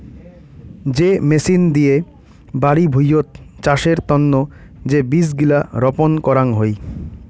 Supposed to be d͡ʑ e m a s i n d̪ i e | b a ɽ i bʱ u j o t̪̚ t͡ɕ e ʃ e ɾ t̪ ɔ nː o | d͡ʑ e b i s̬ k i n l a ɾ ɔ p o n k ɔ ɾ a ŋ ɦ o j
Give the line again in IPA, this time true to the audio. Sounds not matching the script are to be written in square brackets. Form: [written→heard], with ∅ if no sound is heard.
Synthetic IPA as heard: d͡ʑ e m [a→e] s i n d̪ i e | b a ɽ i bʱ u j o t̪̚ t͡ɕ [e→a] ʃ e ɾ t̪ ɔ nː o | d͡ʑ e b i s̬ [k→ɡ] i [n→∅] l a ɾ ɔ p o n k ɔ ɾ a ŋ ɦ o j